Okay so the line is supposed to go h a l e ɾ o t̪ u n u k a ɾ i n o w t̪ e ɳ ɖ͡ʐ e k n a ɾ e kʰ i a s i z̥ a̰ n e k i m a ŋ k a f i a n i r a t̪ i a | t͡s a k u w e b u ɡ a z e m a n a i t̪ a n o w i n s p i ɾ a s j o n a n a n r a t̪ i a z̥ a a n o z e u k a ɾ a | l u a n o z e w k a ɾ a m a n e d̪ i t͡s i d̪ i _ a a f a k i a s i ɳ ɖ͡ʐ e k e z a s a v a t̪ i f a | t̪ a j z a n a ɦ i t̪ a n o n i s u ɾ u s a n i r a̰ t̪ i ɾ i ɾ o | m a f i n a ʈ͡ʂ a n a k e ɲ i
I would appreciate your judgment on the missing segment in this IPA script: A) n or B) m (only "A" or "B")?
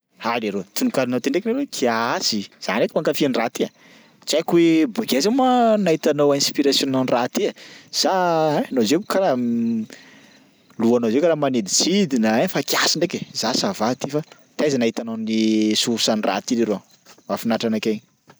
A